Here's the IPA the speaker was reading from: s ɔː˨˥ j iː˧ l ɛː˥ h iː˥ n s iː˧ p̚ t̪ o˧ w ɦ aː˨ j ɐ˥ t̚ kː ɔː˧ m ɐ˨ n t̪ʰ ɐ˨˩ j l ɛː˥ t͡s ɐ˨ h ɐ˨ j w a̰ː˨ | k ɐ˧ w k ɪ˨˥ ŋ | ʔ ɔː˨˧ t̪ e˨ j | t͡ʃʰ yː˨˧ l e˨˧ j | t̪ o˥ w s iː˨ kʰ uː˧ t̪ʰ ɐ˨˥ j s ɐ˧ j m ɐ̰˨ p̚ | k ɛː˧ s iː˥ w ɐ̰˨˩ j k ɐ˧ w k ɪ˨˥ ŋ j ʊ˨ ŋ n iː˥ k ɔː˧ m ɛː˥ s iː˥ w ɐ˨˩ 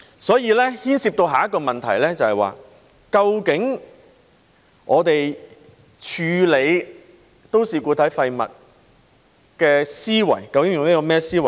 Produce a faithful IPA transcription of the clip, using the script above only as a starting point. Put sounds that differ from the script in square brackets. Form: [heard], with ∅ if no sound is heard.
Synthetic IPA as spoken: s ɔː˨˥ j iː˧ l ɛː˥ h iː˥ n s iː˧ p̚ t̪ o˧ w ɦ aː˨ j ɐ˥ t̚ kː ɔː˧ m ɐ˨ n t̪ʰ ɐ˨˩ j l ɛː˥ t͡s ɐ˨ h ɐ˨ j w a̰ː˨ | k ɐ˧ w k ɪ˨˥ ŋ | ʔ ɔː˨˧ t̪ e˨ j | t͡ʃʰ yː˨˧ l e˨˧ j | t̪ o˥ w s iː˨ [k] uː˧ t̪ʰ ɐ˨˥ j [f] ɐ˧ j m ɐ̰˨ [t̚] | k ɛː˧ s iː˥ w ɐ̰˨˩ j k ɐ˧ w k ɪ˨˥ ŋ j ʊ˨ ŋ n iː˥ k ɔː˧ m ɛː˥ s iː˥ w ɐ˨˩